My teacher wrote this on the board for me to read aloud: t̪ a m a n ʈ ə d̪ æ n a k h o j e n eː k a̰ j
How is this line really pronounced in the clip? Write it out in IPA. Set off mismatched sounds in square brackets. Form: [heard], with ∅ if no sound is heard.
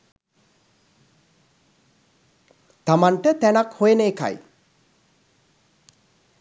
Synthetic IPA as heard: t̪ a m a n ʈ ə [t̪] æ n a k h o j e n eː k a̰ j